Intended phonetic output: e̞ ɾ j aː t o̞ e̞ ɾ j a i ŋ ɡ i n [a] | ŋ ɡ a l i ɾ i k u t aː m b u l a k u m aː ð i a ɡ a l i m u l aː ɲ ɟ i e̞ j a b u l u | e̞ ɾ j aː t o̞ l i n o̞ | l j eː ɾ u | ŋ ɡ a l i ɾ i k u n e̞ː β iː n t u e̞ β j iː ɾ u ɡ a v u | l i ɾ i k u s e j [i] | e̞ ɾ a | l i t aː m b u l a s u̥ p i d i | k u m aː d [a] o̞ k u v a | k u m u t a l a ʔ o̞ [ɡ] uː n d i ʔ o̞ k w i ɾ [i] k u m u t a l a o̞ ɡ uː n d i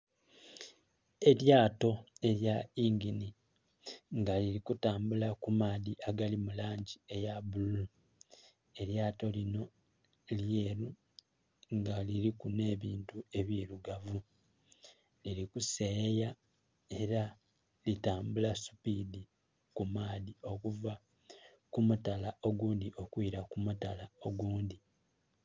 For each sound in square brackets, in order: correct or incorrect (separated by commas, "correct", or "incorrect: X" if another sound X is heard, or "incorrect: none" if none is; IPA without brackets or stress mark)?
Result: incorrect: i, incorrect: a, incorrect: i, correct, incorrect: a